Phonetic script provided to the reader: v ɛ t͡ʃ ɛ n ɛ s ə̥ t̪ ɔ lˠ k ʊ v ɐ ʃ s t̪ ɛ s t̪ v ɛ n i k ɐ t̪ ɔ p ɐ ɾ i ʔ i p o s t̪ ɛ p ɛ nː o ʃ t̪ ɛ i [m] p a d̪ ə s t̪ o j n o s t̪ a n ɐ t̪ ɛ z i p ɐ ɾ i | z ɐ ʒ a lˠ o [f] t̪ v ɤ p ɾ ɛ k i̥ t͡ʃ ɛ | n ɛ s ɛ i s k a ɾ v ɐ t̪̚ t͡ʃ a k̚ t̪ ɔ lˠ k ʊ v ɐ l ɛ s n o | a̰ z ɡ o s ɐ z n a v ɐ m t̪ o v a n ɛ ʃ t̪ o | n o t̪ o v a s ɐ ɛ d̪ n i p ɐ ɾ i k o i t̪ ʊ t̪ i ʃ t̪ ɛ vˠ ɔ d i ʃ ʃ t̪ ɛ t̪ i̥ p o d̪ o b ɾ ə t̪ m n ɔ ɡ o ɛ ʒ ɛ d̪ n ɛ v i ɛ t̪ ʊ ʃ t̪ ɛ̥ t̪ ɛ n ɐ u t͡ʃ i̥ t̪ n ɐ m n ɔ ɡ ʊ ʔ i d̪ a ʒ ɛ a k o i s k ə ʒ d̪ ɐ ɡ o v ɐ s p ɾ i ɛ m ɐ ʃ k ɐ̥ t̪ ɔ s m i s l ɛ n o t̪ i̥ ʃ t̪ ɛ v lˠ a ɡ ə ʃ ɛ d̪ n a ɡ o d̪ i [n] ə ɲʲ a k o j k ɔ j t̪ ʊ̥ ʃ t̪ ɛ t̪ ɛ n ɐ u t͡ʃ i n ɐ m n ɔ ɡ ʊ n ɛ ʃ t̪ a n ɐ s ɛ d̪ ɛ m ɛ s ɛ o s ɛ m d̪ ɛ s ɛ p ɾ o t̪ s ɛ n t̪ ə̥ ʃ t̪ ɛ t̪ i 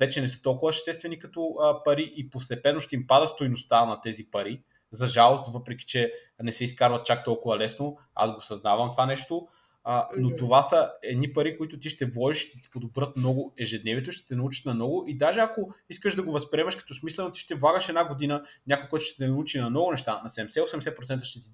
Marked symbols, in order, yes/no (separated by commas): yes, no, yes